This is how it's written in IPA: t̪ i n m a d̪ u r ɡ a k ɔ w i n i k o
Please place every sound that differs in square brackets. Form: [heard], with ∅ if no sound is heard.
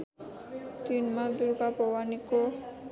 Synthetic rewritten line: t̪ i n m a d̪ u [ɾ] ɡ a [p] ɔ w [a] n i k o